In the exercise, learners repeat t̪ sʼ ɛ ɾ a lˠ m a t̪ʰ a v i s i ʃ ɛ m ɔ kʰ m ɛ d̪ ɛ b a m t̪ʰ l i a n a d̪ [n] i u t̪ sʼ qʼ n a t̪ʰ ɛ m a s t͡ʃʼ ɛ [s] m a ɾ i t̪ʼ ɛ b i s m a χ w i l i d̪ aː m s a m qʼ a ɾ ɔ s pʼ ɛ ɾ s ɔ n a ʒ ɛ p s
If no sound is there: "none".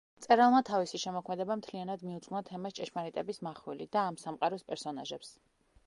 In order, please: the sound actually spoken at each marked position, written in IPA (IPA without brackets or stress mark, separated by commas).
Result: m, ʃ